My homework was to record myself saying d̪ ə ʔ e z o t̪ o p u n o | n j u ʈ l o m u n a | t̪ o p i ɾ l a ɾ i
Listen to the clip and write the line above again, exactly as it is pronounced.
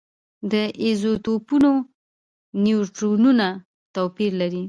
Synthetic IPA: d̪ ə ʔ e z o t̪ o p u n o | n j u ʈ ɾ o n u n a | t̪ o p i ɾ l a ɾ i